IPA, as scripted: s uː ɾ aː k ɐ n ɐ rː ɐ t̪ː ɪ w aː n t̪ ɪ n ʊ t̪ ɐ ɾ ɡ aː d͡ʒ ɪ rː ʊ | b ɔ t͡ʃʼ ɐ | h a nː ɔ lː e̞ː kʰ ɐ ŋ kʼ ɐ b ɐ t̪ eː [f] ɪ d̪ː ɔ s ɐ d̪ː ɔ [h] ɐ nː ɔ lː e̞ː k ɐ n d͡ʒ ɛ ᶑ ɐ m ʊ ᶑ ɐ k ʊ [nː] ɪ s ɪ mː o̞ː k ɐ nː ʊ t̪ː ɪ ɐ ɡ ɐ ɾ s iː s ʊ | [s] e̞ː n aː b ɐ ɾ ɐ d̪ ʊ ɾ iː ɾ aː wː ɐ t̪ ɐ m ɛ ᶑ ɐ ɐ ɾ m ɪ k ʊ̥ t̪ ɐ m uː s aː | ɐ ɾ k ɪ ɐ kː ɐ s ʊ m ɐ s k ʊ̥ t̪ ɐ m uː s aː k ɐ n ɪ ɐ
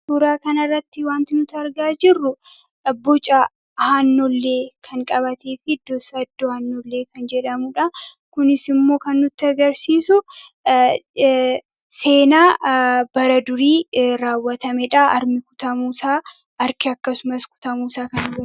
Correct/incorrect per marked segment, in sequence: correct, correct, incorrect: n, correct

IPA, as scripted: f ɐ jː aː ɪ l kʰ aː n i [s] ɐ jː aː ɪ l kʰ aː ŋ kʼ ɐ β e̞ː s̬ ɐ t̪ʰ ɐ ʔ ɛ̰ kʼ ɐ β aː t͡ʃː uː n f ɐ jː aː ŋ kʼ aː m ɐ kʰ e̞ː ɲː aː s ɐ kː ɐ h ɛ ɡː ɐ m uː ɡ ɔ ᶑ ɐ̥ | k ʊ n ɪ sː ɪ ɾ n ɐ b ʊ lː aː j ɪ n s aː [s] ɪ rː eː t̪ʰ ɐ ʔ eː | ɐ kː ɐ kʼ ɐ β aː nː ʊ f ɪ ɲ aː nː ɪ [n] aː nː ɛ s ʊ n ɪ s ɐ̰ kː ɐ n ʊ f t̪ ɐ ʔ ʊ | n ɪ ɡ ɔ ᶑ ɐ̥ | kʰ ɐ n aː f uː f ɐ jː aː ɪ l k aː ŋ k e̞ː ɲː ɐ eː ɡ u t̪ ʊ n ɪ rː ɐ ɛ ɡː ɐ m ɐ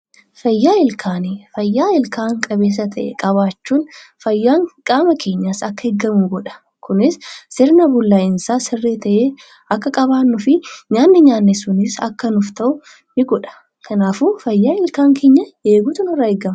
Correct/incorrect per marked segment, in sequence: incorrect: f, correct, incorrect: ɲ

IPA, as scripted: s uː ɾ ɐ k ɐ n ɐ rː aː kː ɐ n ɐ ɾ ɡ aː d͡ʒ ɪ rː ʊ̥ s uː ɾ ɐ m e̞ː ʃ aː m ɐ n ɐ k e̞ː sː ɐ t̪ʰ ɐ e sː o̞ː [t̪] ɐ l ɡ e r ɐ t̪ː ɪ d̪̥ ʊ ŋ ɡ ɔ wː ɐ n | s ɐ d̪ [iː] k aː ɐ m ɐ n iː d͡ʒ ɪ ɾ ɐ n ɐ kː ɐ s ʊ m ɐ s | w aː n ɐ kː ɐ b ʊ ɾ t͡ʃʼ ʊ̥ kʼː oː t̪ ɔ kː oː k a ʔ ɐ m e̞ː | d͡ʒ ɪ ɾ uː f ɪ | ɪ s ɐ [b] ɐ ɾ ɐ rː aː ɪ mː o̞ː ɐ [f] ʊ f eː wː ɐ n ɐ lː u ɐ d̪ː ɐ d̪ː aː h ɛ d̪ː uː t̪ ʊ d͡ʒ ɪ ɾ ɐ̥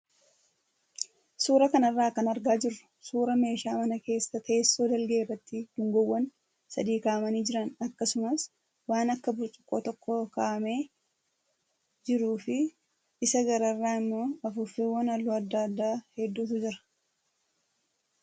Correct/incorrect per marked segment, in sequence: incorrect: d̪, correct, incorrect: ɡ, correct

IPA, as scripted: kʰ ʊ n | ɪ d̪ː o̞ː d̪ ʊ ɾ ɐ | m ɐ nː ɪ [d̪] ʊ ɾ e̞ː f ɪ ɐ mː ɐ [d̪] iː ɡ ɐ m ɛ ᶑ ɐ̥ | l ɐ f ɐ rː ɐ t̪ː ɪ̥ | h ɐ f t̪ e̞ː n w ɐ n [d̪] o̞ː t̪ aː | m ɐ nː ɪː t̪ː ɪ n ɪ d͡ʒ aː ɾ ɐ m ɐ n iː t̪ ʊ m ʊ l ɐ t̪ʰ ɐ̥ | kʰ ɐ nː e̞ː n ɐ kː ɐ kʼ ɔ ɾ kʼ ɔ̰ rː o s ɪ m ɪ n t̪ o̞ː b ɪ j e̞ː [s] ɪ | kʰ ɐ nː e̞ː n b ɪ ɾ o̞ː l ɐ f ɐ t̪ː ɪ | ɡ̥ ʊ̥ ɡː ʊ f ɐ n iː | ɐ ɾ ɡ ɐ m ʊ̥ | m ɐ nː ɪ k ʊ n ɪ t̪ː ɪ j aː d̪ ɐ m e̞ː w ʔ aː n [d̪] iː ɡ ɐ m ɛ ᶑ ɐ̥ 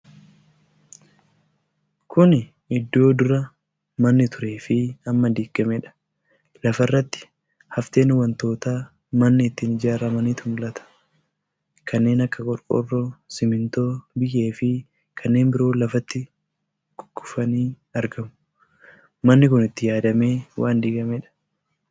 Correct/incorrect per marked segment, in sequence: incorrect: t̪, correct, incorrect: t̪, incorrect: f, correct

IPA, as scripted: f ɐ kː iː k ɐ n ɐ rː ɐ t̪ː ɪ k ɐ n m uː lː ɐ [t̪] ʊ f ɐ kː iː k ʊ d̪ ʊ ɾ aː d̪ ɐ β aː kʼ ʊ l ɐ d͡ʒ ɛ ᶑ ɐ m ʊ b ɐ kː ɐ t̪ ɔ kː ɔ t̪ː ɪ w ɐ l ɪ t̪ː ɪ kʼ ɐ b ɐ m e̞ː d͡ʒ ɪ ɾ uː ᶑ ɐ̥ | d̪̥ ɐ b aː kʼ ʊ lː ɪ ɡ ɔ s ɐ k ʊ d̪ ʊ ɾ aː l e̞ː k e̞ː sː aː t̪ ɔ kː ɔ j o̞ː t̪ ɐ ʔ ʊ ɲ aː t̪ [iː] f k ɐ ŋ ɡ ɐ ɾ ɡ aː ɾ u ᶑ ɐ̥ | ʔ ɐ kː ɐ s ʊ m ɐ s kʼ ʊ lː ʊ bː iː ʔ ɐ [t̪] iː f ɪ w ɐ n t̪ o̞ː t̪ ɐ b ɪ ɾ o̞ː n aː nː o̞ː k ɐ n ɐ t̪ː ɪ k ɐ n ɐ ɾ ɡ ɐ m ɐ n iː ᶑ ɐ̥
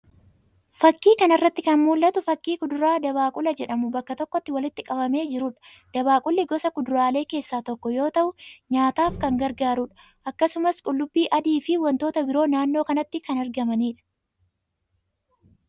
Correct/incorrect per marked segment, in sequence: correct, incorrect: aː, incorrect: d̪

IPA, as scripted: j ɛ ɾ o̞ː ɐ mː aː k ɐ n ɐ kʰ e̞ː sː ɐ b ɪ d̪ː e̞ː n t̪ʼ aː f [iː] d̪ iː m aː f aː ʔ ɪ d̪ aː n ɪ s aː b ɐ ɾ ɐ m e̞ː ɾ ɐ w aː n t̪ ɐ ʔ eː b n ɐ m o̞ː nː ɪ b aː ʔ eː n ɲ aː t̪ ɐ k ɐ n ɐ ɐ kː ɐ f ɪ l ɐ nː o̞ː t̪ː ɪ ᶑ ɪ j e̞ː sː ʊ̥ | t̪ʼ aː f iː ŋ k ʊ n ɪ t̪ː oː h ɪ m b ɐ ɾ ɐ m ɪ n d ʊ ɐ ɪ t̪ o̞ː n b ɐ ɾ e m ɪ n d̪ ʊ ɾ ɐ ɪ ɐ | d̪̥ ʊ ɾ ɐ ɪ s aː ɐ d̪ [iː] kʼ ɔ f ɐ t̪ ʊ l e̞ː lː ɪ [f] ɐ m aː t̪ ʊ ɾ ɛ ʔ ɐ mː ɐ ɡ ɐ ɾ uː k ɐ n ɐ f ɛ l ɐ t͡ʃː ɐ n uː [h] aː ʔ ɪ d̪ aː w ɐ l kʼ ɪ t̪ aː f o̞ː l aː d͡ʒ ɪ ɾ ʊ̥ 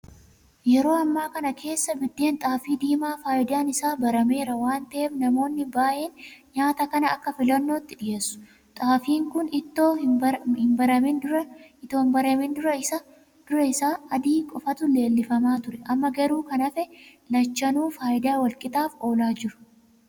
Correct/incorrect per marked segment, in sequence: correct, correct, correct, incorrect: f

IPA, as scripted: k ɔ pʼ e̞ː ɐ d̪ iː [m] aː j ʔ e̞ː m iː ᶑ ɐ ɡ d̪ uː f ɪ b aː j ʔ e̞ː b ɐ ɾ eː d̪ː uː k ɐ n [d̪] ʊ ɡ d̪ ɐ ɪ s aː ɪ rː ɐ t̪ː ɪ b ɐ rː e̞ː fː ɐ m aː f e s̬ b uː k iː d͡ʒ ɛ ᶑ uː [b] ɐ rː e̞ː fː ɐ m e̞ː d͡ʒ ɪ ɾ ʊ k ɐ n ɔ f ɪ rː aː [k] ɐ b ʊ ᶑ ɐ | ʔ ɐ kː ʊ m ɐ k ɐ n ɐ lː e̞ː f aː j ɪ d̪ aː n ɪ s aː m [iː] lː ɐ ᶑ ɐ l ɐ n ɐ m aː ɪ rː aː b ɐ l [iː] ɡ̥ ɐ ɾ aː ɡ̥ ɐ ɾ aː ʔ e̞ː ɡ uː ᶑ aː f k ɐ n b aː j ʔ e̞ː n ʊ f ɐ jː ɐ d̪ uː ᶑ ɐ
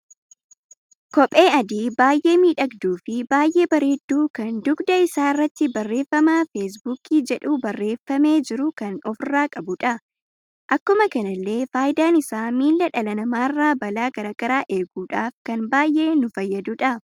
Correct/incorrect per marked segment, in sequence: incorrect: b, correct, correct, incorrect: kʼ, correct, incorrect: aː

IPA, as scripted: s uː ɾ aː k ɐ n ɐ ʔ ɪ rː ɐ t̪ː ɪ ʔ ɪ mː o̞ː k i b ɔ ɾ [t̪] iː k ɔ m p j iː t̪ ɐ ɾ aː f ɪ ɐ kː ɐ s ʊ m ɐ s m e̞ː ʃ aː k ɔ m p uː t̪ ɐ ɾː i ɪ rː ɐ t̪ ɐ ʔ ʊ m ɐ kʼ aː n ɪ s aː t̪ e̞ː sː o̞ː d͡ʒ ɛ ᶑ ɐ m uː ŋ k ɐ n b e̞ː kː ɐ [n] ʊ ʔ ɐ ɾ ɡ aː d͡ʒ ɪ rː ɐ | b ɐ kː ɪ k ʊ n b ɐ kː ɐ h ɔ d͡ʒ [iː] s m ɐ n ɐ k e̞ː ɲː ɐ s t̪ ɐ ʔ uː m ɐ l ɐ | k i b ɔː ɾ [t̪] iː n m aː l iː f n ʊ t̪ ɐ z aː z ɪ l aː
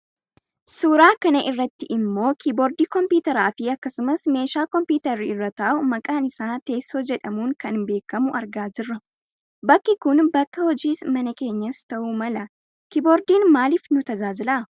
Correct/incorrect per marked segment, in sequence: incorrect: d̪, incorrect: m, correct, incorrect: d̪

